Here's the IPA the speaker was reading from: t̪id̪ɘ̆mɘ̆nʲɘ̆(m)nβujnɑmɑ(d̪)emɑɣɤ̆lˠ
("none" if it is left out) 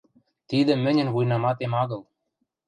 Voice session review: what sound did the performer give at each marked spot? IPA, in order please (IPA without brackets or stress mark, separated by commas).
none, t̪